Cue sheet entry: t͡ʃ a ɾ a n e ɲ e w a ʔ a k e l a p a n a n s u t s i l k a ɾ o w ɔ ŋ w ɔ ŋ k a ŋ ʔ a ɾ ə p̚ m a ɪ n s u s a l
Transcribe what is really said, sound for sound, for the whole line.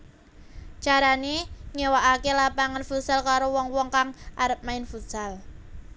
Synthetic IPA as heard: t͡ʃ a ɾ a n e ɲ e w a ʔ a k e l a p a ŋ a n f u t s a l k a ɾ o w ɔ ŋ w ɔ ŋ k a ŋ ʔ a ɾ ə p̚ m a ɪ n f u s a l